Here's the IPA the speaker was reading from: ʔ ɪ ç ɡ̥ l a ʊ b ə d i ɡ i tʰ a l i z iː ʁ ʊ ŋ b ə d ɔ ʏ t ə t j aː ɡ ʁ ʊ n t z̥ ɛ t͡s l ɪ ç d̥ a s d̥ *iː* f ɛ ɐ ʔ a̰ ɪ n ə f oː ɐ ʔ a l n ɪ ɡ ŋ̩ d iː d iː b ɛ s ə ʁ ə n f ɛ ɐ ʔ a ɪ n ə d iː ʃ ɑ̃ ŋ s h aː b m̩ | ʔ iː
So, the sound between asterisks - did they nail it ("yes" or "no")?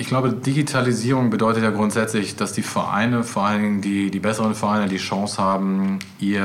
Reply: yes